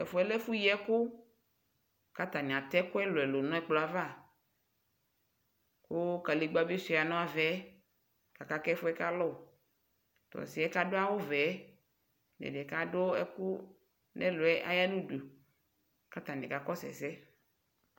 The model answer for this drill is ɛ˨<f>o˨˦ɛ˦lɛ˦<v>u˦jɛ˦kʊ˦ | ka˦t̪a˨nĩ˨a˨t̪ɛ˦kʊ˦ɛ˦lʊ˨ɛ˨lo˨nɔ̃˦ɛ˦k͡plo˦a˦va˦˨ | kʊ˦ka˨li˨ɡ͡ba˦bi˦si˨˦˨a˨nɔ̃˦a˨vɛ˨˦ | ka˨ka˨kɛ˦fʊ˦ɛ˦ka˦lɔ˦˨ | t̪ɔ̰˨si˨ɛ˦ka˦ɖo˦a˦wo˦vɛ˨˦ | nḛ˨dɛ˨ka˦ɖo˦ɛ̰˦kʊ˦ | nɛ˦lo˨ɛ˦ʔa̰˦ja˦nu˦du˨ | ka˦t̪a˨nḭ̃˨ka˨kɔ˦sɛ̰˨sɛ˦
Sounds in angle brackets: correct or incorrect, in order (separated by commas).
correct, incorrect